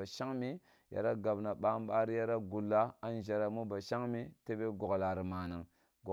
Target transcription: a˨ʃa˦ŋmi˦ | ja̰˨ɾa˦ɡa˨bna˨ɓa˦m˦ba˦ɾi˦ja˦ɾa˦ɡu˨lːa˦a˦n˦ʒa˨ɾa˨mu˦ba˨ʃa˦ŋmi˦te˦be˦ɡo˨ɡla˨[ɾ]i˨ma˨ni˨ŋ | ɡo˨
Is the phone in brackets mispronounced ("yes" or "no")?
no